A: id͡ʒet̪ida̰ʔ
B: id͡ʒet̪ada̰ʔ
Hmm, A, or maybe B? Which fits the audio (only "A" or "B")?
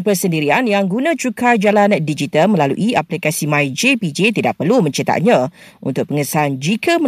A